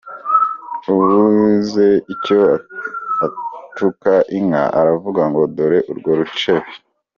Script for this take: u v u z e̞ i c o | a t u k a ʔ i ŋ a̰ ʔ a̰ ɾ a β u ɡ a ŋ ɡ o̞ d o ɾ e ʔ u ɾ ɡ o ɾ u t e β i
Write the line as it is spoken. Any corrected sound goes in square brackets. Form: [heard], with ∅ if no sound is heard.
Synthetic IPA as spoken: u [β] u z e̞ i c o | a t u k a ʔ i ŋ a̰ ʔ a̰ ɾ a [v] u ɡ a ŋ ɡ o̞ d o ɾ e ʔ u ɾ ɡ o ɾ u [t͡ʃ] e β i